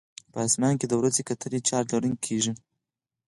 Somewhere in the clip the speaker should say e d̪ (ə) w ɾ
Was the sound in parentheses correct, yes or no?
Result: yes